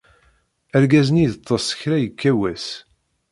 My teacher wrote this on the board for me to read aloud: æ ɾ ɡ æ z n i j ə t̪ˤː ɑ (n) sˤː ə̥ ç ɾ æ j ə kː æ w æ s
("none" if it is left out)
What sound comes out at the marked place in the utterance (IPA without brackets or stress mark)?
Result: none